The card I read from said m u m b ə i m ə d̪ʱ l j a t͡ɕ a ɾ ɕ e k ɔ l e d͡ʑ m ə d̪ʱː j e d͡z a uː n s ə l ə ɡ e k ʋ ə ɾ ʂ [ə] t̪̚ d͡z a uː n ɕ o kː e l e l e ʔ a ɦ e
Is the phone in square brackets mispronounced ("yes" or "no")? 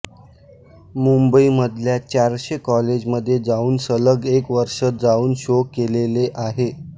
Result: no